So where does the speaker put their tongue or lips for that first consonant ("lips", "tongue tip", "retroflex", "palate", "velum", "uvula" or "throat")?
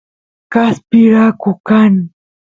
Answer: velum